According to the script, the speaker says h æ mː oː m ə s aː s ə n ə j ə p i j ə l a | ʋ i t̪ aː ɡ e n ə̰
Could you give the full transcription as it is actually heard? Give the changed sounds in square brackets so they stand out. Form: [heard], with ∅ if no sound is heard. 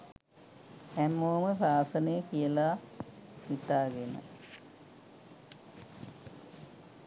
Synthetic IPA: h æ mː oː m ə s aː s ə n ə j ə [k] i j ə l a | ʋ i t̪ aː ɡ e n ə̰